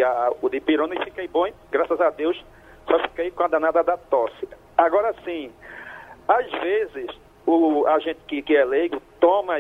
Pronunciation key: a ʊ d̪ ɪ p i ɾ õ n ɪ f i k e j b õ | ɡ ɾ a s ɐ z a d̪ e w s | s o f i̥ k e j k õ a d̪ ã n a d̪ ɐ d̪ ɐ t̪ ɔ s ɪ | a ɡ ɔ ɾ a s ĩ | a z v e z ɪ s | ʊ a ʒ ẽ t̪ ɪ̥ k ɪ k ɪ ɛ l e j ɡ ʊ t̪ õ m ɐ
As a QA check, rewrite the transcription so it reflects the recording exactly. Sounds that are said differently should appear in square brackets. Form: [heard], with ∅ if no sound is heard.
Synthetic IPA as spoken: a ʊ d̪ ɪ p i ɾ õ n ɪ f i k e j b õ | ɡ ɾ a s ɐ z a d̪ e w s | s [ɔ] f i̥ k e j k õ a d̪ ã n a d̪ ɐ d̪ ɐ t̪ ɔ s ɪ | a ɡ ɔ ɾ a s ĩ | a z v e z ɪ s | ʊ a ʒ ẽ t̪ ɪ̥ k ɪ k ɪ ɛ l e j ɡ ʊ t̪ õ m ɐ